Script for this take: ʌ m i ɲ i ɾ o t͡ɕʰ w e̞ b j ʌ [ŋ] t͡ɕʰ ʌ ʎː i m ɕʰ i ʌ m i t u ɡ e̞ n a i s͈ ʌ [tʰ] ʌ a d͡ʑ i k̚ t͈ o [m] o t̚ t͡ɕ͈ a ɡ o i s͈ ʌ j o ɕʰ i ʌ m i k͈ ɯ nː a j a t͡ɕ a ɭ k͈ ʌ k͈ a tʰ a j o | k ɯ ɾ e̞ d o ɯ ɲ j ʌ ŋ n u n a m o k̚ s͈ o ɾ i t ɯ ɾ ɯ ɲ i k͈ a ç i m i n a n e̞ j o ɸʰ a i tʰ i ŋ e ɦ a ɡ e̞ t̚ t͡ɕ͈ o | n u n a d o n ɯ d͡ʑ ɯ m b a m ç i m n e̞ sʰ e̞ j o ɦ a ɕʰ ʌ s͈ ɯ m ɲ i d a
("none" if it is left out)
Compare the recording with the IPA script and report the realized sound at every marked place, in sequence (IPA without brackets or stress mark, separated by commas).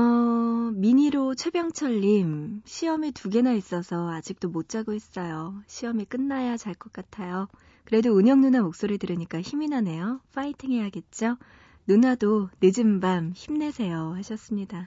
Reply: ŋ, sʰ, m